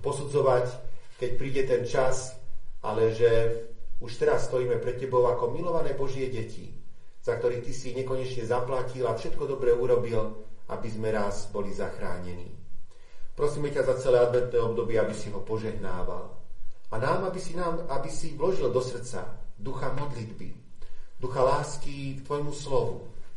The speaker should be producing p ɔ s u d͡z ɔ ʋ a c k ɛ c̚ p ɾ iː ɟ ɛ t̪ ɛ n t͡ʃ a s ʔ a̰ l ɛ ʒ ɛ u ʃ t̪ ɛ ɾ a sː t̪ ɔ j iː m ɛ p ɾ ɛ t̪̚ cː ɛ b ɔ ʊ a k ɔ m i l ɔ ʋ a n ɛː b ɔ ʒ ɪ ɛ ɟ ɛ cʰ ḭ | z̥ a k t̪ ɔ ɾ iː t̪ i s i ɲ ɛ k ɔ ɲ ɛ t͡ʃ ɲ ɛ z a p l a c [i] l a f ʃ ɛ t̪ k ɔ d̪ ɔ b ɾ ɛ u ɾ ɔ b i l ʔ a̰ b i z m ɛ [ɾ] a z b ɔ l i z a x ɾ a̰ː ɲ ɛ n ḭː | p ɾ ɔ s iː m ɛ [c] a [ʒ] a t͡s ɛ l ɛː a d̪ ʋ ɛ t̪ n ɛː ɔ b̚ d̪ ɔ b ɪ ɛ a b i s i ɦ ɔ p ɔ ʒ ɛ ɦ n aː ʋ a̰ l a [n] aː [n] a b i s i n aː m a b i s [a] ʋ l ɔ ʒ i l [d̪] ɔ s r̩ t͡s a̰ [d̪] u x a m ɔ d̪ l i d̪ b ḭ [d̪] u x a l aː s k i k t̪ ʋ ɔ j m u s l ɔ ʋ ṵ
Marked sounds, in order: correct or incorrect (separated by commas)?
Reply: correct, correct, correct, incorrect, correct, incorrect, incorrect, correct, correct, correct